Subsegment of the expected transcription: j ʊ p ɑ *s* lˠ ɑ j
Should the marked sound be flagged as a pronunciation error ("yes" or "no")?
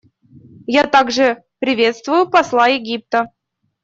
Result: no